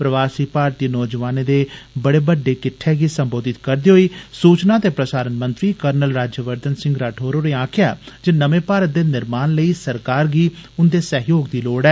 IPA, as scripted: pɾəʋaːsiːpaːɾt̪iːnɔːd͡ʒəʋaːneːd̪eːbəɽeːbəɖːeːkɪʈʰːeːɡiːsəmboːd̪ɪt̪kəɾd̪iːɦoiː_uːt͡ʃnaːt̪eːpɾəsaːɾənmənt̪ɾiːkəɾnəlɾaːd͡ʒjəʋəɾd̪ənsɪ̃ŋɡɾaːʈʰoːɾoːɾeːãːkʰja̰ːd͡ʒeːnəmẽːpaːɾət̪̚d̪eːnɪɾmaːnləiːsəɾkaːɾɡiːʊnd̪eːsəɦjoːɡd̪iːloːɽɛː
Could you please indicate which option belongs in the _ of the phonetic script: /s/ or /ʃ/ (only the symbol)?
s